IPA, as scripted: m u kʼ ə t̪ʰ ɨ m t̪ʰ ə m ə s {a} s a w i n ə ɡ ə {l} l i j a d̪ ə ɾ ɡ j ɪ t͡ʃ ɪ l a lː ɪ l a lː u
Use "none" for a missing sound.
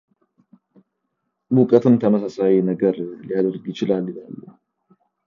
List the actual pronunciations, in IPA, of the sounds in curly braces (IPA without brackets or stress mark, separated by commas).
a, ɾ